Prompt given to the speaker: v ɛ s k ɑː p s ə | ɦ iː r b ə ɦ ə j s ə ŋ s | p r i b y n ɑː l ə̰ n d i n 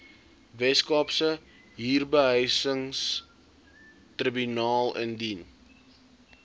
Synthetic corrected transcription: v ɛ s k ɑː p s ə | ɦ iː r b ə ɦ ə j s ə ŋ s | t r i b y n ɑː l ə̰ n d i n

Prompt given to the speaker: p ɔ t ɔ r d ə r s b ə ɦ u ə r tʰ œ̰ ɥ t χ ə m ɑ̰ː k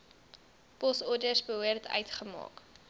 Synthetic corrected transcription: p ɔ s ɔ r d ə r s b ə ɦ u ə r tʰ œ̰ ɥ t χ ə m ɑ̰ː k

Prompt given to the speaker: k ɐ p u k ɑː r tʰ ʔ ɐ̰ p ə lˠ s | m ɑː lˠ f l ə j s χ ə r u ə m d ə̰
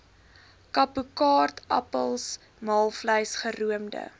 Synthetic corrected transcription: k ɐ p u k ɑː r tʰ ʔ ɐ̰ p ə lˠ s | m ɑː lˠ f l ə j s χ ə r u ə m d ə̰

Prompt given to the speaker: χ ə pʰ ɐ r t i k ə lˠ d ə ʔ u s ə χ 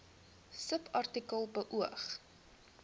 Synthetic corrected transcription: s ə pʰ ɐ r t i k ə lˠ b ə ʔ u ə χ

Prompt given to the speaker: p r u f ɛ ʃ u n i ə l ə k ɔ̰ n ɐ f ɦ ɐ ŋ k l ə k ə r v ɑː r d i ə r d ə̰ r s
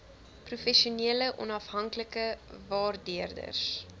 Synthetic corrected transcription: p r u f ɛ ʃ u n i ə l ə ʔ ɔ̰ n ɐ f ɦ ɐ ŋ k l ə k ə v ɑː r d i ə r d ə̰ r s

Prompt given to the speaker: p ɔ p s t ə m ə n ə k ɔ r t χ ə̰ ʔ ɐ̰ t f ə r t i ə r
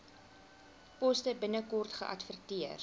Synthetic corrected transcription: p ɔ s t ə b ə n ə k ɔ r t χ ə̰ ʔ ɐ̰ t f ə r t i ə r

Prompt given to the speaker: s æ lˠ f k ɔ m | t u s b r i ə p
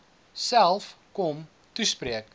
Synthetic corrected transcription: s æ lˠ f k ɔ m | t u s p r i ə k

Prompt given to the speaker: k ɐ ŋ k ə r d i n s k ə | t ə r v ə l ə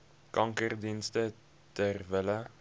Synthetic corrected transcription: k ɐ ŋ k ə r d i n s t ə | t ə r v ə l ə

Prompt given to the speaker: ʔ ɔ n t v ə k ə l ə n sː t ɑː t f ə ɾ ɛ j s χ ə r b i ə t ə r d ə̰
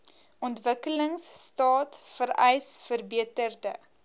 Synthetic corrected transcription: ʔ ɔ n t v ə k ə l ə ŋ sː t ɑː t f ə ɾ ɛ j s f ə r b i ə t ə r d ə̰

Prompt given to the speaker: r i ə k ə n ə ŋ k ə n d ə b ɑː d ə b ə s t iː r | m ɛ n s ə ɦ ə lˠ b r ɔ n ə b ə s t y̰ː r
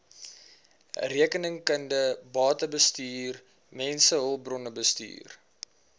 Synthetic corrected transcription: r i ə k ə n ə ŋ k ə n d ə b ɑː t ə b ə s t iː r | m ɛ n s ə ɦ ə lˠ b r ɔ n ə b ə s t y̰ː r

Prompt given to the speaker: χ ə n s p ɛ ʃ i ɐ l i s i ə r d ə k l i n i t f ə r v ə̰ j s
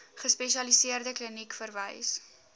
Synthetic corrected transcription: χ ə s p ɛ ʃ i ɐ l i s i ə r d ə k l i n i k f ə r v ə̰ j s

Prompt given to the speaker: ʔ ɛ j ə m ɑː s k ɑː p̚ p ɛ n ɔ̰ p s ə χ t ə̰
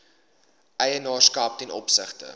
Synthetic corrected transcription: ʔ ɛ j ə n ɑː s k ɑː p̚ t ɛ n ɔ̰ p s ə χ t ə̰

